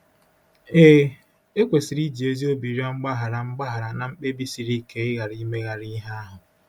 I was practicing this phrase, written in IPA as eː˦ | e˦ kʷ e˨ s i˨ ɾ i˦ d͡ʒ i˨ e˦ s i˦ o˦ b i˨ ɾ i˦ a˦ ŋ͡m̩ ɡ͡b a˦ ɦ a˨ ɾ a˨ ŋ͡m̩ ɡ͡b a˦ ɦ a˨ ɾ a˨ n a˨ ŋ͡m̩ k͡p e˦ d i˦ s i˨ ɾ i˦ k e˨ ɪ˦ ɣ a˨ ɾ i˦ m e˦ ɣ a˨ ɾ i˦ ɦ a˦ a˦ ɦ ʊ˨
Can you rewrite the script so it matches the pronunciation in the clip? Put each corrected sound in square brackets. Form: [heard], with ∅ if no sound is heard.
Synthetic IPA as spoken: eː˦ | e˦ kʷ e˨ s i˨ ɾ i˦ d͡ʒ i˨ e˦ [z] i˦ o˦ b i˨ ɾ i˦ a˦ ŋ͡m̩ ɡ͡b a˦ ɦ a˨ ɾ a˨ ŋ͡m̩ ɡ͡b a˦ ɦ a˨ ɾ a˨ n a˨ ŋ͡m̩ k͡p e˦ [b] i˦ s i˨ ɾ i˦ k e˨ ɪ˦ ɣ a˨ ɾ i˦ m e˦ ɣ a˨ ɾ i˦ ɦ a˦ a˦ ɦ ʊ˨